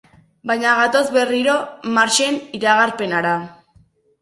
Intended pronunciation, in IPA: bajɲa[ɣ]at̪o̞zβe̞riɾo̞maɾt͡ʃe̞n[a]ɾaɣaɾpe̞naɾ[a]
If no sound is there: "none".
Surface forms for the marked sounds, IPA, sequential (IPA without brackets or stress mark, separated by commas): ɣ, i, a